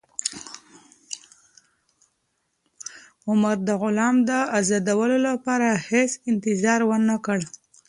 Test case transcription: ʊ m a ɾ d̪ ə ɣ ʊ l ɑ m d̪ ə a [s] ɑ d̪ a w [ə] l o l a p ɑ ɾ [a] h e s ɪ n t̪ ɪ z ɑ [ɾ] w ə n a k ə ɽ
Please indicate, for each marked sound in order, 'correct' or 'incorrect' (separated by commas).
incorrect, correct, correct, correct